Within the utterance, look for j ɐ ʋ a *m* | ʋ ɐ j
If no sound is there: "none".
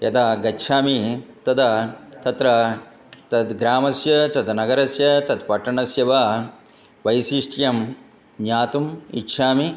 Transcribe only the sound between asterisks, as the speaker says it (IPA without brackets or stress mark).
none